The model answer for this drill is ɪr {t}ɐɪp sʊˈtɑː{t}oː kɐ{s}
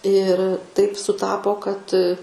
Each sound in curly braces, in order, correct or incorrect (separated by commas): correct, incorrect, incorrect